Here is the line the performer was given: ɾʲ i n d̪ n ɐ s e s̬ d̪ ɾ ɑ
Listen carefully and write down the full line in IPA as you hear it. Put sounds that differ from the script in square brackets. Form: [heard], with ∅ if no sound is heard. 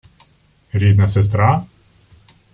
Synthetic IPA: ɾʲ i [∅] d̪ n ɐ s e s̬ [t̪] ɾ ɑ